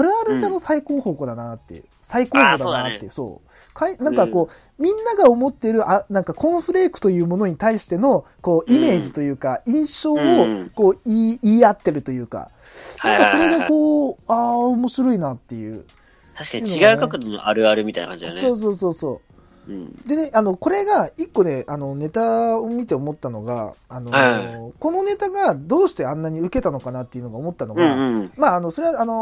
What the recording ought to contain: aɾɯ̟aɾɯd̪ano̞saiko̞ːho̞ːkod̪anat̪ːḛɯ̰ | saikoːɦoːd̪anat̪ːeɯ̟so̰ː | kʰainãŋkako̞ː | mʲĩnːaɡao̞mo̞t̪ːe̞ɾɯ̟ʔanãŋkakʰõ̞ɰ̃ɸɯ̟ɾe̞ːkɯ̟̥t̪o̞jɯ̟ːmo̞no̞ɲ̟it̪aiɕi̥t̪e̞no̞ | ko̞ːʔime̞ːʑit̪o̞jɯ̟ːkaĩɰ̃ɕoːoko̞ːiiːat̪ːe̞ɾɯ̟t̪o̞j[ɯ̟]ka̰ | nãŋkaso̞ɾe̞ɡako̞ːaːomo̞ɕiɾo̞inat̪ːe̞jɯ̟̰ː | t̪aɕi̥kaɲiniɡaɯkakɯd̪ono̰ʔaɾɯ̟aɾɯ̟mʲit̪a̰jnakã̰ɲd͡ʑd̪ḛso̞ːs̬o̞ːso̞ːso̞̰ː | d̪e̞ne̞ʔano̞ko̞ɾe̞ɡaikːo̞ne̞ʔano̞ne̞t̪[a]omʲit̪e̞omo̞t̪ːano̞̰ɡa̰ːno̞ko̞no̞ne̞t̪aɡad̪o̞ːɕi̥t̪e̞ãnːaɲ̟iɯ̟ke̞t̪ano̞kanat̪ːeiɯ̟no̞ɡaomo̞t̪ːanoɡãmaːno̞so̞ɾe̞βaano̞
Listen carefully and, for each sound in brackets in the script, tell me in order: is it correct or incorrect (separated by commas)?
incorrect, correct